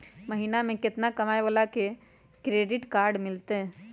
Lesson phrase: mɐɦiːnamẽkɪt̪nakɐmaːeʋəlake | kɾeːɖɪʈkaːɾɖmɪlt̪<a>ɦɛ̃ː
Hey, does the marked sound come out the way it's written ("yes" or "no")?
no